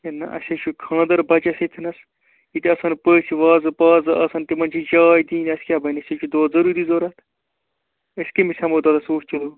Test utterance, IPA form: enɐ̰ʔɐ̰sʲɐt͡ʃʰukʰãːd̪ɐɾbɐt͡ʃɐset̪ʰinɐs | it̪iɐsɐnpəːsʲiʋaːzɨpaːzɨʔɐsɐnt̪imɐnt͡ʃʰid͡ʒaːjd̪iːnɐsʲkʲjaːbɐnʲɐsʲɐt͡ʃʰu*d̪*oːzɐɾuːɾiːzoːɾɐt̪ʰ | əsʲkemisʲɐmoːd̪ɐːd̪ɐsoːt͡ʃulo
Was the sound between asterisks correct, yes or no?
yes